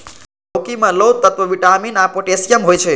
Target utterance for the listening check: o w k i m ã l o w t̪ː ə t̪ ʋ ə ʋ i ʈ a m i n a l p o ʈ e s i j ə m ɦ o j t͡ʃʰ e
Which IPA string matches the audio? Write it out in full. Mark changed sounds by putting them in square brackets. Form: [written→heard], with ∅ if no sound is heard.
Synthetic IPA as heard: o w k i m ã l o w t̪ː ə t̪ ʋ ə ʋ i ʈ a m i n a [l→∅] p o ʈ e s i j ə m ɦ o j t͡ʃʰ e